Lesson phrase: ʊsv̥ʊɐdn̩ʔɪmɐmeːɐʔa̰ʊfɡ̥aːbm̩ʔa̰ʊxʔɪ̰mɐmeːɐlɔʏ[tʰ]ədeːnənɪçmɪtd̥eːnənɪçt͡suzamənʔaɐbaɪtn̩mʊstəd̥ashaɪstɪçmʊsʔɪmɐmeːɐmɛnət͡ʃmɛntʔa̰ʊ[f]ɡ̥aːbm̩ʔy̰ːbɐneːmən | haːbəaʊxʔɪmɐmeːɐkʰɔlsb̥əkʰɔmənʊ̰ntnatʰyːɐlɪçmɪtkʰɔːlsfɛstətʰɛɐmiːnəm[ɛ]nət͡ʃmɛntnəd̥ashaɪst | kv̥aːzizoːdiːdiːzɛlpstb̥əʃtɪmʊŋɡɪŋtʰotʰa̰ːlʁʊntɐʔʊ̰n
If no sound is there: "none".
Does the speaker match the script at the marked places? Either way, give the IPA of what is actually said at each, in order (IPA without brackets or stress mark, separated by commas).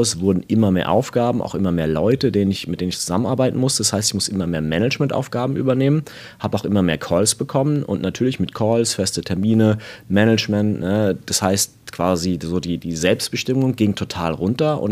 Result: t, f, ɛ